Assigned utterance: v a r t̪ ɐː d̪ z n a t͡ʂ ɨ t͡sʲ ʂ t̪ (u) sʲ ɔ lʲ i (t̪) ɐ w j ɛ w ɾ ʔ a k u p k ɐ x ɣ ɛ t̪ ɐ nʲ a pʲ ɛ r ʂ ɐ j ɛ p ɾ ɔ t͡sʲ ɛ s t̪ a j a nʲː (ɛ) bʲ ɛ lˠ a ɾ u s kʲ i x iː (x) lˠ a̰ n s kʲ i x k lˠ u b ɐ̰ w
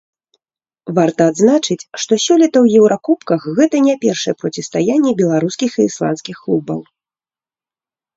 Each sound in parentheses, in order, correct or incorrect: incorrect: ɔ, correct, correct, incorrect: s

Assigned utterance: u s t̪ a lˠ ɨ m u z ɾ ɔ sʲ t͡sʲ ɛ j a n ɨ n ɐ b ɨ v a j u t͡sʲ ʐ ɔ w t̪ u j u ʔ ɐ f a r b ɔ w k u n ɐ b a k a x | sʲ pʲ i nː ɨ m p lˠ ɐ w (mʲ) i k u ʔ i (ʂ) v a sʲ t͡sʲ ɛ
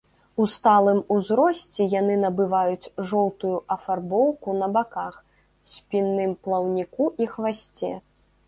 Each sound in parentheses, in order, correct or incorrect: incorrect: nʲ, incorrect: x

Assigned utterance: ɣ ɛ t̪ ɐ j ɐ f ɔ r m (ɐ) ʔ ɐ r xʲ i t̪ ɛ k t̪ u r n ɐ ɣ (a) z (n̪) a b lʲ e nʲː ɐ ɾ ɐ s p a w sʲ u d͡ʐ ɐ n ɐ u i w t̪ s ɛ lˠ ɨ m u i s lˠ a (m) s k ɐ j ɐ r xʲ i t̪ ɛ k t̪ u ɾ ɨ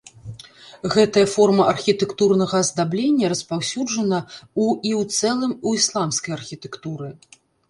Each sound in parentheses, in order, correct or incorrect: correct, incorrect: ɐ, incorrect: d̪, correct

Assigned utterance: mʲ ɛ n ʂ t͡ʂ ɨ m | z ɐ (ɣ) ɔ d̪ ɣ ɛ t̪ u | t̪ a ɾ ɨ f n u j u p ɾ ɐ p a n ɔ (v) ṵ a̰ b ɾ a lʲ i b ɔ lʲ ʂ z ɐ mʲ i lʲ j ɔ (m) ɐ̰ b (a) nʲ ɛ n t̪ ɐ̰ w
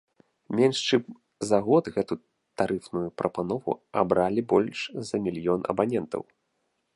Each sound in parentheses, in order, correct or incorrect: correct, correct, incorrect: n, correct

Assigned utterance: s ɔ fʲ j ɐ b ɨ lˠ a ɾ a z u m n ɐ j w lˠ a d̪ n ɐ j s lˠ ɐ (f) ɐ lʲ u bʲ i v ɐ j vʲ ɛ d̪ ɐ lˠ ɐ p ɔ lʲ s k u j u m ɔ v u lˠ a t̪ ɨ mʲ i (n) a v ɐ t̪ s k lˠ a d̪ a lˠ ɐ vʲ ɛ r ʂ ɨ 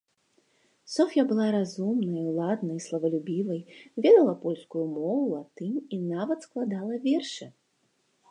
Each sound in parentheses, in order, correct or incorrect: incorrect: v, correct

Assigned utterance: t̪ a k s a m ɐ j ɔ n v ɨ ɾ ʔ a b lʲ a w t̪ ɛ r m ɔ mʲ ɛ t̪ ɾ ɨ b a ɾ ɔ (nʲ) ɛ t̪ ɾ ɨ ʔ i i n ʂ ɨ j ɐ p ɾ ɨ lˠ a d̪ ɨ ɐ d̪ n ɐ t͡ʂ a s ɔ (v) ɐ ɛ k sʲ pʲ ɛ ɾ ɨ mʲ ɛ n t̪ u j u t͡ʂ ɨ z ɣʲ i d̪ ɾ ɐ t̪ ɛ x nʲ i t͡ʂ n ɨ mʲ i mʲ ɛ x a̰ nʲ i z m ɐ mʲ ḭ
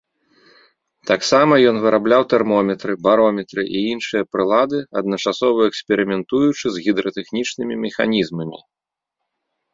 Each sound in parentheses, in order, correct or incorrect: incorrect: mʲ, correct

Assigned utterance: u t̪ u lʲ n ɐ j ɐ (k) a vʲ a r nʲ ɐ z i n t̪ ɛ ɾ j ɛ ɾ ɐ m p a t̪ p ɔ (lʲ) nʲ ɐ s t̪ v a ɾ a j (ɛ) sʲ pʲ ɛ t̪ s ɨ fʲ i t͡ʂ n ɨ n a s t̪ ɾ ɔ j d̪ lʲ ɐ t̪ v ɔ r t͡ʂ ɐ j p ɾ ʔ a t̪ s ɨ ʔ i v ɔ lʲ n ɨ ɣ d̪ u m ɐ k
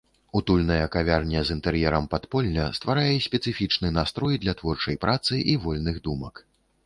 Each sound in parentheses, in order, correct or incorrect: correct, correct, correct

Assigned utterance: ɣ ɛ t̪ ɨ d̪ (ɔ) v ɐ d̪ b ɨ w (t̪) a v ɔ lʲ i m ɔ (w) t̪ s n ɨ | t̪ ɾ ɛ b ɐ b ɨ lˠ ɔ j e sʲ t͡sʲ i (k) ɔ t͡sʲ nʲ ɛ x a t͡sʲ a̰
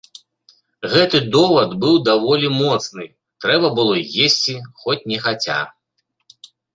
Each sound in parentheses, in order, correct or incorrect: correct, incorrect: d̪, incorrect: none, incorrect: x

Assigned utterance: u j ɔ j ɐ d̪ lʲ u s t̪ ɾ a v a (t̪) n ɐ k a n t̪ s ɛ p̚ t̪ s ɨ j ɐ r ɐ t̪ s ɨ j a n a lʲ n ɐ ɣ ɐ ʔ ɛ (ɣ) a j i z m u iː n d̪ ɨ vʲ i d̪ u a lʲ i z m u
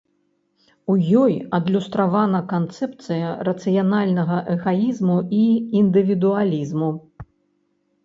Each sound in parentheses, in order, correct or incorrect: incorrect: none, correct

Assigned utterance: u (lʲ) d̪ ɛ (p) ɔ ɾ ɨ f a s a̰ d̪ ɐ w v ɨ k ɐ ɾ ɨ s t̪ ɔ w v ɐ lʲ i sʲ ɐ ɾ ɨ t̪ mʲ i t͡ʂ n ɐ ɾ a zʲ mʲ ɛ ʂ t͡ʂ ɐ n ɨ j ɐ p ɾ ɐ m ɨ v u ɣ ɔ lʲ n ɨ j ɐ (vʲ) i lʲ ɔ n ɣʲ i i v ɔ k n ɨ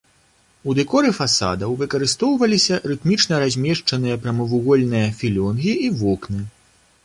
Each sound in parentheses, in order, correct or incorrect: incorrect: none, incorrect: k, incorrect: fʲ

